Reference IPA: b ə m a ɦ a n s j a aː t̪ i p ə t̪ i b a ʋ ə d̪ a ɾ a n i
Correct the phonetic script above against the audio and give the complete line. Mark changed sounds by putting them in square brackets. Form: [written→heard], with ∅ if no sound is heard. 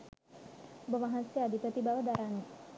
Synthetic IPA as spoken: b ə m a ɦ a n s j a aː [t̪→d̪] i p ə t̪ i b a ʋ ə d̪ a ɾ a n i